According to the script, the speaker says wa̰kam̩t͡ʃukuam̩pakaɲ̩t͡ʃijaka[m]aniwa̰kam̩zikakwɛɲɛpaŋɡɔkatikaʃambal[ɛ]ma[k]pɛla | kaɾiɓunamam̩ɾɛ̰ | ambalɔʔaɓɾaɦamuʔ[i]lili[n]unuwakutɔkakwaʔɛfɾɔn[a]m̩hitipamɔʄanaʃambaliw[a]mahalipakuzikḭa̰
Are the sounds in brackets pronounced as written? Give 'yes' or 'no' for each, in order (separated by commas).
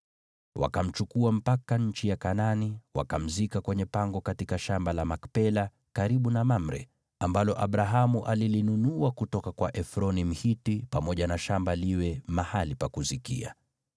no, no, yes, no, yes, no, no